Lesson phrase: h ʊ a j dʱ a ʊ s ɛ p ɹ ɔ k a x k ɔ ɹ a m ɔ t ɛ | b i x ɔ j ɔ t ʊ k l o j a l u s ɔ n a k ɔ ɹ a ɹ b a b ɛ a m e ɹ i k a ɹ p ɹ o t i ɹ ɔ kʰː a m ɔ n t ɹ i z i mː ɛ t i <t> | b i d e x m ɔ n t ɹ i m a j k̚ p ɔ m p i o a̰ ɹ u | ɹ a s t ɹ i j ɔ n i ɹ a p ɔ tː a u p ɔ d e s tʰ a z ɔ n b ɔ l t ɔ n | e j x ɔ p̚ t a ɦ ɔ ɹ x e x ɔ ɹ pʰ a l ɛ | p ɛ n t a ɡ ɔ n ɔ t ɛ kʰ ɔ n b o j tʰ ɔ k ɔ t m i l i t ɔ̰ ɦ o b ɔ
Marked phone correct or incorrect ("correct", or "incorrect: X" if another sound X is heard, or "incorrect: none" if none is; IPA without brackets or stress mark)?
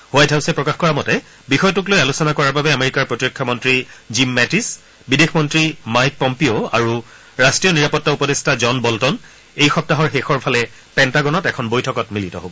incorrect: s